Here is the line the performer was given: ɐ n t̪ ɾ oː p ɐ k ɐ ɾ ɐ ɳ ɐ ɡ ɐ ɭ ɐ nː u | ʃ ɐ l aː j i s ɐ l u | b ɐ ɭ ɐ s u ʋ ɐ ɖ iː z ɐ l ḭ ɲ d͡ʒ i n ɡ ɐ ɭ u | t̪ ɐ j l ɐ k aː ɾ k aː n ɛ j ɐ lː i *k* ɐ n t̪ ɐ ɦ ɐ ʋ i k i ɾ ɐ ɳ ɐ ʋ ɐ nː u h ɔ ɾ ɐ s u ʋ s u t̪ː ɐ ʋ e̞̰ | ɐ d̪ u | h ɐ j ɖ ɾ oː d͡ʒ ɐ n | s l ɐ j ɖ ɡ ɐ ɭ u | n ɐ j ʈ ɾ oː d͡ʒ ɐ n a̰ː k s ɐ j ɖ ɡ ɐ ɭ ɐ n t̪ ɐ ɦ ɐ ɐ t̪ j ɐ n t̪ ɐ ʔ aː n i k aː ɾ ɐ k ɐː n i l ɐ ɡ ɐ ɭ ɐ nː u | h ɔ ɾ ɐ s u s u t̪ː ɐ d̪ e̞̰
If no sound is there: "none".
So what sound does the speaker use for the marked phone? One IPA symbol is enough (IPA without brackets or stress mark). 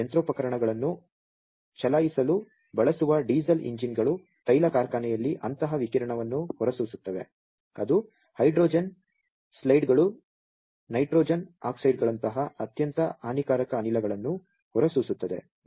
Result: ʔ